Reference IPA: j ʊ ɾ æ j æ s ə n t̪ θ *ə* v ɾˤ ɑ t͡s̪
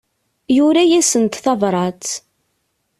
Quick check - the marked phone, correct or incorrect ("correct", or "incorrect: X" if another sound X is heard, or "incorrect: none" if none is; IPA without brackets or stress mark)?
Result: incorrect: ɑ